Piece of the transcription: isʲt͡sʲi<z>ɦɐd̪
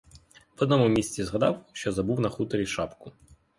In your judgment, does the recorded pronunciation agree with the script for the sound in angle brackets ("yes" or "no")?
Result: yes